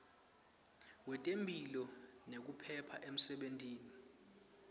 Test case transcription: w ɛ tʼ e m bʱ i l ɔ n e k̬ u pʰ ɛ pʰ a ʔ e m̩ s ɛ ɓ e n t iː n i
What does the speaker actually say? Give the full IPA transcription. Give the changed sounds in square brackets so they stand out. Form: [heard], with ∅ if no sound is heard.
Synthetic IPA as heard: w ɛ tʼ e m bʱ i l ɔ n e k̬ u pʰ ɛ pʰ a ʔ e m̩ s ɛ ɓ e n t iː n i